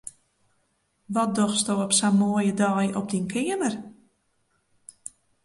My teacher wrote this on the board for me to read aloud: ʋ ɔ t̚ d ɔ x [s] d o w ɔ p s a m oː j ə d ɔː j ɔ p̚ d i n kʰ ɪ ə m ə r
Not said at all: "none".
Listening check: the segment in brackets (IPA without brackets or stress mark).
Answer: s